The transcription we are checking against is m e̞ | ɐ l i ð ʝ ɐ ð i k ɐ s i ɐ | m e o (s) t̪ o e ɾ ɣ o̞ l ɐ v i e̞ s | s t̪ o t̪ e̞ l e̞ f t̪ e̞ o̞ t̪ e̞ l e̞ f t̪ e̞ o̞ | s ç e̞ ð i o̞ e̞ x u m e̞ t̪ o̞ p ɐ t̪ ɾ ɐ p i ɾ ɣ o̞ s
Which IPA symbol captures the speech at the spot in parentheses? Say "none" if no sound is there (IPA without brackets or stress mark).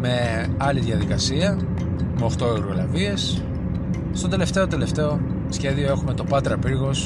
x